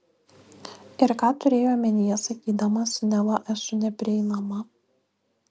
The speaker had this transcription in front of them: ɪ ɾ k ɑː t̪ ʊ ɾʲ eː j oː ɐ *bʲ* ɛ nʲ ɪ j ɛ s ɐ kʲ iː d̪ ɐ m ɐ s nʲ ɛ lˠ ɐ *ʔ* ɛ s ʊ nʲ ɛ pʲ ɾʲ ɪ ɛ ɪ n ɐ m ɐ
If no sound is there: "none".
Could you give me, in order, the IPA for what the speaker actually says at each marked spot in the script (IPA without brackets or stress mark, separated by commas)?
mʲ, ʔ